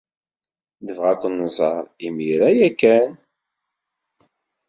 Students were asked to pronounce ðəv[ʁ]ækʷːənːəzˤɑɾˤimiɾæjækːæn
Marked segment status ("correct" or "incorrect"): correct